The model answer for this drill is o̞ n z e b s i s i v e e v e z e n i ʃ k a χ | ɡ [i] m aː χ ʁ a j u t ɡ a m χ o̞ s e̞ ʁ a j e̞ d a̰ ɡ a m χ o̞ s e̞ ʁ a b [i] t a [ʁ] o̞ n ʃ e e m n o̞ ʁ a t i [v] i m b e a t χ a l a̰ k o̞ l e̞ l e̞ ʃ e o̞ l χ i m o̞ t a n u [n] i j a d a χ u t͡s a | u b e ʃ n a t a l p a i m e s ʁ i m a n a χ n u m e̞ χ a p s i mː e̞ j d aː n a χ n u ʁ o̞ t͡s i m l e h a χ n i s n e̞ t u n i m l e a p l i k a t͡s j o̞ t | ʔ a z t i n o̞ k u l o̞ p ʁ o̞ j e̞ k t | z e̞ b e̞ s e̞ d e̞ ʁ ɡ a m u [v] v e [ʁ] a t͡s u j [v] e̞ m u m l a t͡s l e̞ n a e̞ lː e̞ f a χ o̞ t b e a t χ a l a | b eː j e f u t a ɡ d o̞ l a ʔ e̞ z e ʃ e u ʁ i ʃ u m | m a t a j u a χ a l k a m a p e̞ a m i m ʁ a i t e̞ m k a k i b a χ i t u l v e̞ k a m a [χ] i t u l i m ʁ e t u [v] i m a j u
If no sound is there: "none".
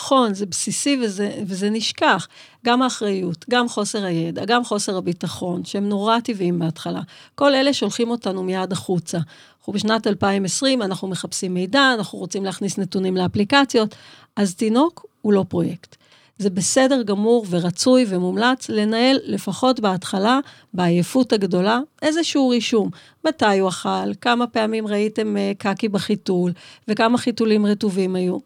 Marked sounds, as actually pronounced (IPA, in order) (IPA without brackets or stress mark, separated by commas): a, i, χ, v, m, ʁ, ʁ, v, χ, v